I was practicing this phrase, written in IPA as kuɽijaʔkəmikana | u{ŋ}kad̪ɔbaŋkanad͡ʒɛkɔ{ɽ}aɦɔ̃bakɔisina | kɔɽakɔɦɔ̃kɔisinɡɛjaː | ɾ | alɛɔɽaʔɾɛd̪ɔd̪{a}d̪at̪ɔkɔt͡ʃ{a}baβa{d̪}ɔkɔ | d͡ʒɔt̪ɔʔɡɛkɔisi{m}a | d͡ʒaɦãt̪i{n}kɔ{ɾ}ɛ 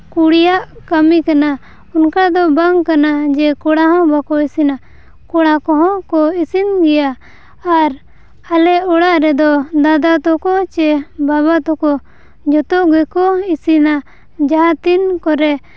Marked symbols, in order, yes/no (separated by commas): no, yes, yes, no, no, no, yes, yes